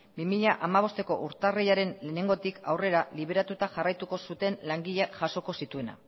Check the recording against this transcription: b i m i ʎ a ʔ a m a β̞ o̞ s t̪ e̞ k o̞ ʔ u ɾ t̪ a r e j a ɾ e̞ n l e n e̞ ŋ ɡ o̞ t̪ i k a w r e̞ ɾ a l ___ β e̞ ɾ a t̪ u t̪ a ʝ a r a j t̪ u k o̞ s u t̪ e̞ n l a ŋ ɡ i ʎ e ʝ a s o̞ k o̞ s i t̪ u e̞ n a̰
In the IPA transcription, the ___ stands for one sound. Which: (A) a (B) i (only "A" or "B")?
B